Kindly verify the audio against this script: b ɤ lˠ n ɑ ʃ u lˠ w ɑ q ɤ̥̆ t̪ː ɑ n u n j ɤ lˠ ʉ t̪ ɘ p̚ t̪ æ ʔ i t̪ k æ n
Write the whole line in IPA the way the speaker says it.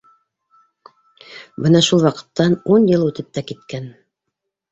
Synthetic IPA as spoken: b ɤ n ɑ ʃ u lˠ w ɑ q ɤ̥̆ t̪ː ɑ n u n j ɤ lˠ ʉ t̪ ɘ p̚ t̪ æ k i t̪ k æ n